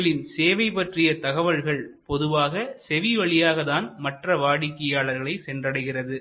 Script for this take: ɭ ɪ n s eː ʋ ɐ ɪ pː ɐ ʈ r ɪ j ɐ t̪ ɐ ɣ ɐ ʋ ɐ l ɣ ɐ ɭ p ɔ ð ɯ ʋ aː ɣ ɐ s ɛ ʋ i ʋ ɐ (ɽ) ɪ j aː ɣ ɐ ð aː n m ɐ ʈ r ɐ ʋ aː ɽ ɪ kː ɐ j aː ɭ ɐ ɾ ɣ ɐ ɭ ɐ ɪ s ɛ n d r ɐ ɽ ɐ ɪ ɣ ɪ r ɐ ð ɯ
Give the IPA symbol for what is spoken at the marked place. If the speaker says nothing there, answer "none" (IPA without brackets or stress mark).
ɭ